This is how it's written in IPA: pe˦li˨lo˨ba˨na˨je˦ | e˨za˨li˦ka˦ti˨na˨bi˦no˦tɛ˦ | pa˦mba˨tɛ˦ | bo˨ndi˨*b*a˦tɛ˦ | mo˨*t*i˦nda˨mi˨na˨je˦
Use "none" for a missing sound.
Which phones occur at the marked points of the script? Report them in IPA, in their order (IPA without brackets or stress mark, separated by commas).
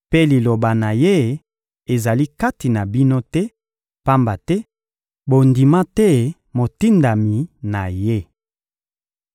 m, t